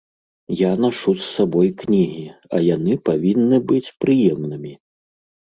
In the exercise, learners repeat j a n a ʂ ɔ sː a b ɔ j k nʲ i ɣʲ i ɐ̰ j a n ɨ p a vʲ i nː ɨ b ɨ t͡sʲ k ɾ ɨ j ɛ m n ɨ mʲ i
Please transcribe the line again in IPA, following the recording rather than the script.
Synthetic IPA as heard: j a n a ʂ u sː a b ɔ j k nʲ i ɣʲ i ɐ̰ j a n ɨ p a vʲ i nː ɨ b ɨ t͡sʲ p ɾ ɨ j ɛ m n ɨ mʲ i